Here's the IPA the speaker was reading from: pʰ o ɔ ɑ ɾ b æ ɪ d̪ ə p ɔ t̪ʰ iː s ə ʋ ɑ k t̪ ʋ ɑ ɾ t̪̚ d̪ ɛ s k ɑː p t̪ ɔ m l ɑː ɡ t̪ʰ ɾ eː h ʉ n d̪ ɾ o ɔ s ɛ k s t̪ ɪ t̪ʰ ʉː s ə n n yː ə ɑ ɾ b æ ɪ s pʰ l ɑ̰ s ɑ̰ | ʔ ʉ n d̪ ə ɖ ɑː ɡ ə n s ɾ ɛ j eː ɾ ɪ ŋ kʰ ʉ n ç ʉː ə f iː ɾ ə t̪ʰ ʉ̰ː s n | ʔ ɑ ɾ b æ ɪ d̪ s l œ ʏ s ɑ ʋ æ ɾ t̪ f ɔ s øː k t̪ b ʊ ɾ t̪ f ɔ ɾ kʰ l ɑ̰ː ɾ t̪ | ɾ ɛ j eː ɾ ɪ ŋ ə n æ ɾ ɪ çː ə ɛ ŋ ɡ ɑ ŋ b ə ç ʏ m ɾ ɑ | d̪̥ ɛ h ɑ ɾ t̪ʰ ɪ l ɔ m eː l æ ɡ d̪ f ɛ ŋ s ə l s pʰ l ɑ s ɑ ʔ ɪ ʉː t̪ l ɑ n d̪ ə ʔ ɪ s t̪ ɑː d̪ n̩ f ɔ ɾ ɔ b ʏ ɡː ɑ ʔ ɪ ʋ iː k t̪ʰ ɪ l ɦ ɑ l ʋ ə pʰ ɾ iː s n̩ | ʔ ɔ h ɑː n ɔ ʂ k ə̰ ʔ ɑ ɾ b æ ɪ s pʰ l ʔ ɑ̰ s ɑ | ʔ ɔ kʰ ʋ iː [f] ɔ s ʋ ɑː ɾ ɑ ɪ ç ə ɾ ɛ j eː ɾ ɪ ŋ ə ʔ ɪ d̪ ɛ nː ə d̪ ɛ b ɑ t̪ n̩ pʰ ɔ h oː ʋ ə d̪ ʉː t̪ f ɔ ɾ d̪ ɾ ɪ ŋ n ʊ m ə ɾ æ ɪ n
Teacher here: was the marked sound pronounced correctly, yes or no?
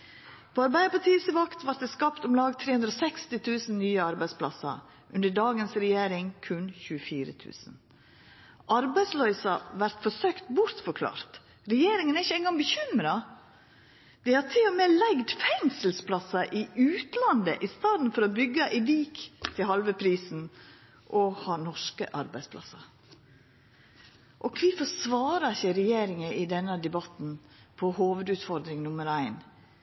yes